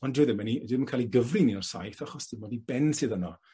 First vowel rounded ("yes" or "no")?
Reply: yes